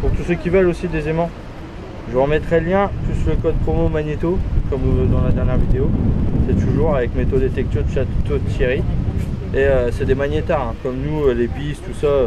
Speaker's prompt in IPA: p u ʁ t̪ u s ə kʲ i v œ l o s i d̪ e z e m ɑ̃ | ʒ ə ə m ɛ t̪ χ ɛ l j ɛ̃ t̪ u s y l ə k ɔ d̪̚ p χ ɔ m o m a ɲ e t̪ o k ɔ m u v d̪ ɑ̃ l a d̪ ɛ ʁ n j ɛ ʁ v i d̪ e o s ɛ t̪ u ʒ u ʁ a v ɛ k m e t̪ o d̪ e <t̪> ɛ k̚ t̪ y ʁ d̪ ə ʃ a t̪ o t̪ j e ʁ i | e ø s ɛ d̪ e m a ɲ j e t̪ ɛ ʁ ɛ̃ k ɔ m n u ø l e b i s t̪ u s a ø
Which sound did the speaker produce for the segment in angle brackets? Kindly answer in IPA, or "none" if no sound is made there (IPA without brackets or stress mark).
t̪